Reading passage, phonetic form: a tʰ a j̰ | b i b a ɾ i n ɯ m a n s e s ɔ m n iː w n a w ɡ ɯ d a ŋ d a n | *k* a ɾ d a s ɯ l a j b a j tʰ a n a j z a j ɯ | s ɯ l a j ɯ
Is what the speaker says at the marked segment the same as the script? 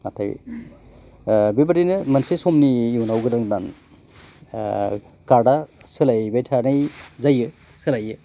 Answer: yes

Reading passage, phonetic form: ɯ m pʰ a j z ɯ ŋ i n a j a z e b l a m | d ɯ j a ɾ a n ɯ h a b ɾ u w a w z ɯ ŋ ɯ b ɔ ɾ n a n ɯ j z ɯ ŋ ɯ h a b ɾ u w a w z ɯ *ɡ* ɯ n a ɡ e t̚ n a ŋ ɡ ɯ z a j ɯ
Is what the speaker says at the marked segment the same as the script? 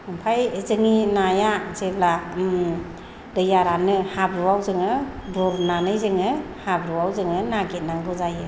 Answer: no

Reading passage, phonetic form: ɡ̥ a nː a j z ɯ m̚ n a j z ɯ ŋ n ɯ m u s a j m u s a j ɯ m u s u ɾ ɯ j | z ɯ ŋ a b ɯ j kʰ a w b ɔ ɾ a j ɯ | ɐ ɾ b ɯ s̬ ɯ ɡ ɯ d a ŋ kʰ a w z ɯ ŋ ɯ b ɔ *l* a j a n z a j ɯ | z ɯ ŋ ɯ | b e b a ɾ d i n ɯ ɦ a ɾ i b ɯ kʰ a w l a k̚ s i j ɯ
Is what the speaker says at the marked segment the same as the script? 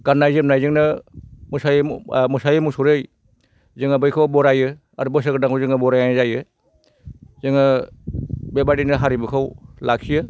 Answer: no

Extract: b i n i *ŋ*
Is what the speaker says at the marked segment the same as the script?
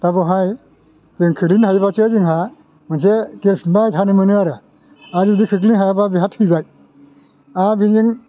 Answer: yes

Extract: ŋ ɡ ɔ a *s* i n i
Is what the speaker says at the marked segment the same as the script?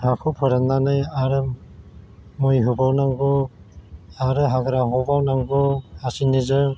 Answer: yes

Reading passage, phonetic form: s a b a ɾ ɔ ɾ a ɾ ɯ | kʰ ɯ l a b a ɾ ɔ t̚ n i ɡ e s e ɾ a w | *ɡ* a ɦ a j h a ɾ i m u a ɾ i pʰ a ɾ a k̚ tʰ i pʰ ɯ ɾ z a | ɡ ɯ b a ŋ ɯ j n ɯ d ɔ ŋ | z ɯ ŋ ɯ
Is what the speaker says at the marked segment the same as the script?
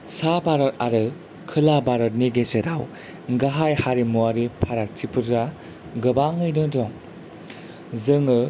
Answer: yes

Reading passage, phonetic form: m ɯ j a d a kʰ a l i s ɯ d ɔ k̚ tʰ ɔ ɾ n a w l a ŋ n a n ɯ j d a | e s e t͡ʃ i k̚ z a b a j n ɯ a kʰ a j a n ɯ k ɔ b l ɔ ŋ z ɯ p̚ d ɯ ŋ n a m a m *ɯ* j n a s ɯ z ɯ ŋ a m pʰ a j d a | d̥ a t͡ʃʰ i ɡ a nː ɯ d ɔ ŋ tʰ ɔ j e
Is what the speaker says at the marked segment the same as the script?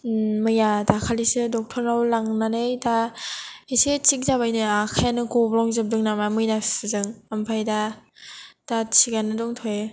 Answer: yes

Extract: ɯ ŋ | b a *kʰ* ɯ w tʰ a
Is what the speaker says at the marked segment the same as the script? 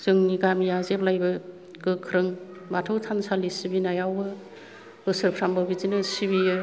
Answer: no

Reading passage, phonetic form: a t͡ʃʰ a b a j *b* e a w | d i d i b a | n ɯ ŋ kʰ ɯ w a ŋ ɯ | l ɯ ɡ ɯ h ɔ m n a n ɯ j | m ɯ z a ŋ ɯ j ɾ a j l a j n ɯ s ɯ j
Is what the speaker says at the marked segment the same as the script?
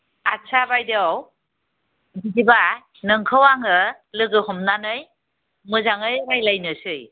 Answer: no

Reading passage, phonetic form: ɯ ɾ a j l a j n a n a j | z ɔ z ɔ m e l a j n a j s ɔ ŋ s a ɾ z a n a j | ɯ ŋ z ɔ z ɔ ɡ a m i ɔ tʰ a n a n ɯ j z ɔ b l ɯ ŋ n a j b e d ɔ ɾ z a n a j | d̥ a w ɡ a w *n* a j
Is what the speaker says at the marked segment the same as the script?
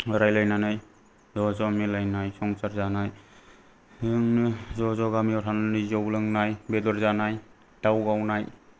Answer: yes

